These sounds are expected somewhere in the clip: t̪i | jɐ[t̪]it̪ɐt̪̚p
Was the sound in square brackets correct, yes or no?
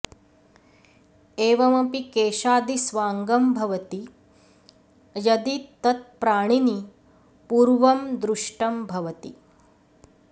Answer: no